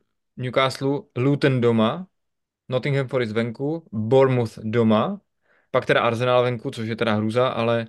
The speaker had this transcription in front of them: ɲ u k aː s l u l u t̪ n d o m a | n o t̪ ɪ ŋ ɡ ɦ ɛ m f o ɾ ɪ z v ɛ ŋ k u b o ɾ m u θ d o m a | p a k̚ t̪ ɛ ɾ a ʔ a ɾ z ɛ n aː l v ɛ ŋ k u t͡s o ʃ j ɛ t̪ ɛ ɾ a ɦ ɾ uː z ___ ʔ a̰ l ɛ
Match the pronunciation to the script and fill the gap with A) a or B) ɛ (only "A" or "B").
A